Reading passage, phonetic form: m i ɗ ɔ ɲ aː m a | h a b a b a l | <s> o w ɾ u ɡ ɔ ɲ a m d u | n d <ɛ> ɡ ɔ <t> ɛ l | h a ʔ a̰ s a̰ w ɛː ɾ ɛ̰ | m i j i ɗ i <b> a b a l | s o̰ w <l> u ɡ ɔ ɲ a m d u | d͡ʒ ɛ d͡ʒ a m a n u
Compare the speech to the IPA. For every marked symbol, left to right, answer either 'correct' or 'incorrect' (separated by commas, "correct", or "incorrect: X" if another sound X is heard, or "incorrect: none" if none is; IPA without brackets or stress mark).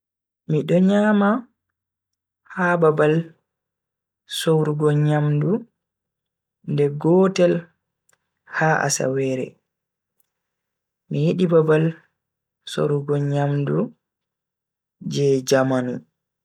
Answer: correct, correct, correct, correct, incorrect: ɾ